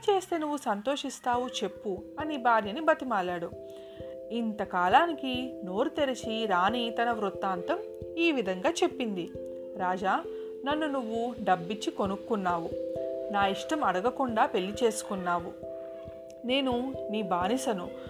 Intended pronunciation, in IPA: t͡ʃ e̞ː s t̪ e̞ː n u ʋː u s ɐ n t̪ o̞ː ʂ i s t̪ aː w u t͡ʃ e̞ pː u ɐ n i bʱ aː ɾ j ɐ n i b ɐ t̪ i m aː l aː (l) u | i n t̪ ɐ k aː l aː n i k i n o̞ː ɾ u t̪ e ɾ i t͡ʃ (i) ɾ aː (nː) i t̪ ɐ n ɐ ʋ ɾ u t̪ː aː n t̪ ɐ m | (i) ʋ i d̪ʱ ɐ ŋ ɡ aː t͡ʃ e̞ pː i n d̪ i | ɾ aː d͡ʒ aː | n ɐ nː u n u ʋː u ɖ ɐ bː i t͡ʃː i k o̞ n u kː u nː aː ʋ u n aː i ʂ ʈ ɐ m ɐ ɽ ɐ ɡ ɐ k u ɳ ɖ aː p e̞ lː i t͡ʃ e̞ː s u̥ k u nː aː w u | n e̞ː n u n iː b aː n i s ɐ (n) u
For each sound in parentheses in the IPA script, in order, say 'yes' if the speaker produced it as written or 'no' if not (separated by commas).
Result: no, yes, no, no, yes